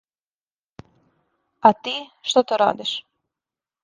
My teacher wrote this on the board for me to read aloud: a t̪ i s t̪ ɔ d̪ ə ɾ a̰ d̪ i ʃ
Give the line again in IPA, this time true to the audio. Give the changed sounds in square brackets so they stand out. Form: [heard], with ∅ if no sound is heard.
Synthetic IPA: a t̪ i [ʃ] t̪ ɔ [t̪] ə ɾ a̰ d̪ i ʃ